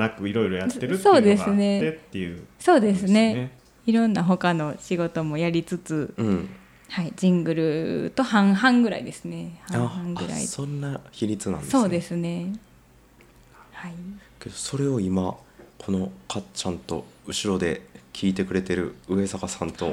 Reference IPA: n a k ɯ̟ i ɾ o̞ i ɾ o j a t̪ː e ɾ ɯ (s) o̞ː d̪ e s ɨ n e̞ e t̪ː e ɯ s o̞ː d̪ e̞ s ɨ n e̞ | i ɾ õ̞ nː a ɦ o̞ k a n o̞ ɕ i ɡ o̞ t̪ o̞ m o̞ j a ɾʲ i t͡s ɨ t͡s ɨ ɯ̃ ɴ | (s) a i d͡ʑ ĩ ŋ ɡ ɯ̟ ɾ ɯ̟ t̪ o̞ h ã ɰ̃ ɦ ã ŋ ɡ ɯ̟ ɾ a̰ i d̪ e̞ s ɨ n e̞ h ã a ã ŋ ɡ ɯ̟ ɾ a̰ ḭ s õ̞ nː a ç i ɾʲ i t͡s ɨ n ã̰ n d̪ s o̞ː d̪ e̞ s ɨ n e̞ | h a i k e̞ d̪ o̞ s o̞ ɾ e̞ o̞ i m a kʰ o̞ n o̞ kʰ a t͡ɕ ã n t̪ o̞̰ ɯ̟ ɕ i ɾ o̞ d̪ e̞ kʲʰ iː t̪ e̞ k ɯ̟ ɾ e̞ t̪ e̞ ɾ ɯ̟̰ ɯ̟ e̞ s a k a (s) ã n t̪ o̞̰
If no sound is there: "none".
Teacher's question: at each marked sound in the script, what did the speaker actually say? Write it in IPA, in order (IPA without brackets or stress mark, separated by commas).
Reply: s, h, s